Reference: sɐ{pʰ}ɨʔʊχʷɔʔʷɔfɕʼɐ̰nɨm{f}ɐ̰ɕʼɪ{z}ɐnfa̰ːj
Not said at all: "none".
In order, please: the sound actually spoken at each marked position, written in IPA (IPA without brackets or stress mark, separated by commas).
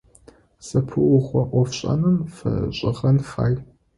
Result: pʰ, f, ʁ